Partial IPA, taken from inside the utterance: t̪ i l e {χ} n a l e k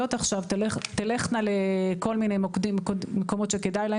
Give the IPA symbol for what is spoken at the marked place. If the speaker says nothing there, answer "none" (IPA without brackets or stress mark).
χ